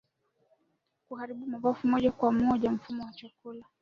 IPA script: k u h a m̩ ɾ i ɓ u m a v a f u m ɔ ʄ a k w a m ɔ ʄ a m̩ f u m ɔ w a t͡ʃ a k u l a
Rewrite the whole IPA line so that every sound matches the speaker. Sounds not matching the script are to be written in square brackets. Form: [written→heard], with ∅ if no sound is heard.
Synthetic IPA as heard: k u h a [m̩→∅] ɾ i ɓ u m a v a f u m ɔ ʄ a k w a m ɔ ʄ a m̩ f u m ɔ w a t͡ʃ a k u l a